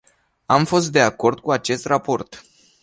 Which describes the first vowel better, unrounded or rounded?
unrounded